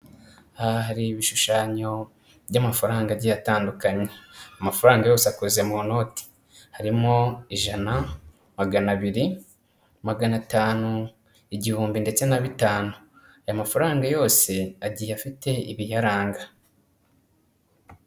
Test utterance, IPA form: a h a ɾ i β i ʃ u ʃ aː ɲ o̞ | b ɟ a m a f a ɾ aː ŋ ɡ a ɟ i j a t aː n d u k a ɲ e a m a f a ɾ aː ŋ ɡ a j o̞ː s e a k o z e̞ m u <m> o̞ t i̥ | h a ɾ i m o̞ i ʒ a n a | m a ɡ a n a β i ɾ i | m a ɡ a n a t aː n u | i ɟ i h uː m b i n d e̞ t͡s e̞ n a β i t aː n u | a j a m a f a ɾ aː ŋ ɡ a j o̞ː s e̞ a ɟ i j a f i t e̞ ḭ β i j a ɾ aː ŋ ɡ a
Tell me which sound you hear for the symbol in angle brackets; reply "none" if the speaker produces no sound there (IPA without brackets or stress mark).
n